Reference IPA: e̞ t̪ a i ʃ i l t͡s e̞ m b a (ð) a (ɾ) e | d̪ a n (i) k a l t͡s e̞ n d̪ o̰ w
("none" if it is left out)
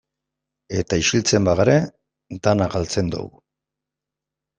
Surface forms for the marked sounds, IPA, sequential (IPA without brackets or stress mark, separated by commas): ɣ, ɾ, a